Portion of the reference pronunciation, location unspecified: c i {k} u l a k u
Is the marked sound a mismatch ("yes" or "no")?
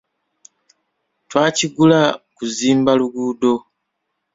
yes